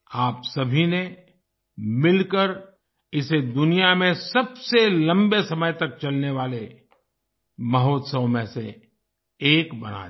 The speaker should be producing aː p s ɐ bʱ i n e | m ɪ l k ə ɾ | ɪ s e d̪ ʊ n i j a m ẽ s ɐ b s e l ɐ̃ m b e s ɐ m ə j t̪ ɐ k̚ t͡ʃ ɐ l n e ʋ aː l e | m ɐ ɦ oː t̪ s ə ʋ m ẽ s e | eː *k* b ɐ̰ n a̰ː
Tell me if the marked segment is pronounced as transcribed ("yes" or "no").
yes